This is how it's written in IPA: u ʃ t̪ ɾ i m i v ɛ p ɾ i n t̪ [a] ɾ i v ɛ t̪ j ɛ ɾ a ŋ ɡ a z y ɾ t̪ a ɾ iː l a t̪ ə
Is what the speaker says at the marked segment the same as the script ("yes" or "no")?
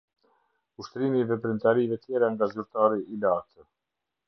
yes